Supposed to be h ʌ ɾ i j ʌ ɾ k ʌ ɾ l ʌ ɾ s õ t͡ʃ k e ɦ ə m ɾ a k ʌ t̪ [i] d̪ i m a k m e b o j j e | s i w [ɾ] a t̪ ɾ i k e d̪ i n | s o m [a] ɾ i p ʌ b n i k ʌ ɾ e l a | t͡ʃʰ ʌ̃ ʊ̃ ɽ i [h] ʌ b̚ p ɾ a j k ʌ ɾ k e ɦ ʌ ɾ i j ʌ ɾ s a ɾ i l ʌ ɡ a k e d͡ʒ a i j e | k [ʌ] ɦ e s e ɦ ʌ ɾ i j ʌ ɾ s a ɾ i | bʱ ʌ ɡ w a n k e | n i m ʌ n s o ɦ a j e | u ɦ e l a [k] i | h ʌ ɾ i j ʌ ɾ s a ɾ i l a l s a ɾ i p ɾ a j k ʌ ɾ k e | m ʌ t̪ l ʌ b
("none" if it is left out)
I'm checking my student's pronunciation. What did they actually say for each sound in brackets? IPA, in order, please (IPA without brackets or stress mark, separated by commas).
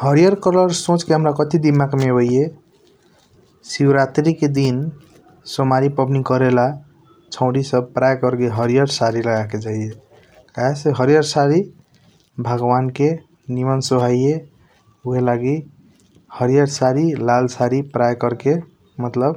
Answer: i, ɾ, a, s, a, ɡ